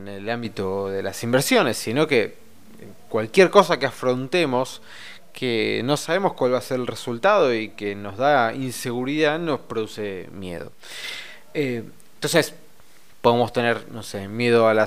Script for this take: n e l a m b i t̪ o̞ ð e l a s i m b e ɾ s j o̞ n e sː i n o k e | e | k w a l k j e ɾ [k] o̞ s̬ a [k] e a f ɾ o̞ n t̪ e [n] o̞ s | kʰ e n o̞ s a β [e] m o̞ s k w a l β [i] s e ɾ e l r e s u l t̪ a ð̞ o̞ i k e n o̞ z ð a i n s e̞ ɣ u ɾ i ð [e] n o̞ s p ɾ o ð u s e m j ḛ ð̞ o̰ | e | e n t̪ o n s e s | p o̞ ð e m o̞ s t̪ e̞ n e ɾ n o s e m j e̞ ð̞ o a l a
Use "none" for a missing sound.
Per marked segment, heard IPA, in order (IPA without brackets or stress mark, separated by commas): k, k, m, e, a, a